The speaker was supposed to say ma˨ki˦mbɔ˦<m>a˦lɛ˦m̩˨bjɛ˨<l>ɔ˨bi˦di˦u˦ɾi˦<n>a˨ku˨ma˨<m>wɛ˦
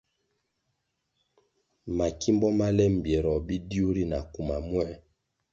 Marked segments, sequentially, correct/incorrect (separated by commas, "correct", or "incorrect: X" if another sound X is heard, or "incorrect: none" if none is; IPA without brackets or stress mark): correct, incorrect: ɾ, correct, correct